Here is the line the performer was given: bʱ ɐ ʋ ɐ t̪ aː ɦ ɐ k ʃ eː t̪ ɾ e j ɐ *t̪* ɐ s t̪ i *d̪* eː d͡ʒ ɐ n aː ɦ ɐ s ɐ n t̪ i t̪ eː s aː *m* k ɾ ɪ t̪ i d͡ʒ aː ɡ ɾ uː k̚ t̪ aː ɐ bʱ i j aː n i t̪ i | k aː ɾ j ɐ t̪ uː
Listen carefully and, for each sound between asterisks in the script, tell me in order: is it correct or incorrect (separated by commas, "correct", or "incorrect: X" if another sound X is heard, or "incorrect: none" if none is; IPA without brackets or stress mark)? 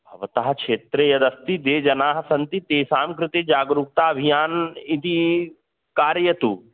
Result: incorrect: d̪, correct, correct